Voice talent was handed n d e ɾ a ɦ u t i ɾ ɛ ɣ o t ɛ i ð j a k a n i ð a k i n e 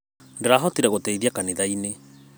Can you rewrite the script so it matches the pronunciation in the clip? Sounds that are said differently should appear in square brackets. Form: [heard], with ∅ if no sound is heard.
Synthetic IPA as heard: n d e ɾ a ɦ [ɔ] t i ɾ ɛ ɣ o t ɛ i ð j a k a n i ð a [∅] i n e